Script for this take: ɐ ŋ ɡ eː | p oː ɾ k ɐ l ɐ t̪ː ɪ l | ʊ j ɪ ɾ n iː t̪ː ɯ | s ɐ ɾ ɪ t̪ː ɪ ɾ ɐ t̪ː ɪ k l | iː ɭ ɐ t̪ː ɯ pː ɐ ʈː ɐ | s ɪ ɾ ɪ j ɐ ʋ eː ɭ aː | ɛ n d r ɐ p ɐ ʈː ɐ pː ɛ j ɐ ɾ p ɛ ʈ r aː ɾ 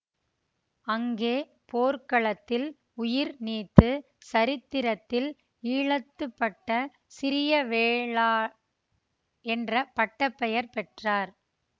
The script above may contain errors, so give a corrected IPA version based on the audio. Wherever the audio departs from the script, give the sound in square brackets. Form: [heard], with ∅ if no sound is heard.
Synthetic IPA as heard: ɐ ŋ ɡ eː | p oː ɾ k ɐ [ɭ] ɐ t̪ː ɪ l | ʊ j ɪ ɾ n iː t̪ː ɯ | s ɐ ɾ ɪ t̪ː ɪ ɾ ɐ t̪ː ɪ [∅] l | iː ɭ ɐ t̪ː ɯ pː ɐ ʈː ɐ | s ɪ ɾ ɪ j ɐ ʋ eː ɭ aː | ɛ n d r ɐ p ɐ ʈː ɐ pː ɛ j ɐ ɾ p ɛ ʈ r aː ɾ